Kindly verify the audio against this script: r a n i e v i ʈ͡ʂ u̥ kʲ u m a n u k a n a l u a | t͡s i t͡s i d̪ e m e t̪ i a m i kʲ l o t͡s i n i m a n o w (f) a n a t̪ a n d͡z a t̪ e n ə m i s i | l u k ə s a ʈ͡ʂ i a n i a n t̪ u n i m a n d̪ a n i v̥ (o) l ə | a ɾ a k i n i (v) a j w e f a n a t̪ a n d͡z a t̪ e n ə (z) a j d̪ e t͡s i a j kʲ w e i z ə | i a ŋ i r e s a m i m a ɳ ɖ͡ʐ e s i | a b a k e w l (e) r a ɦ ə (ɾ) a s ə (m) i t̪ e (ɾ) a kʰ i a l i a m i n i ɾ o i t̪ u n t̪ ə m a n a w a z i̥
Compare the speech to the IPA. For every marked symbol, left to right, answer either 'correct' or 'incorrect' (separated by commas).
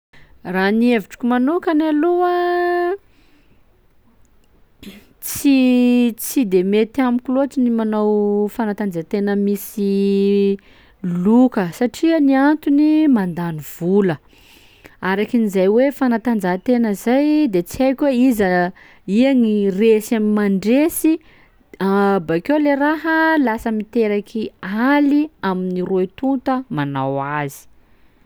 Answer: correct, incorrect, incorrect, correct, correct, incorrect, correct, correct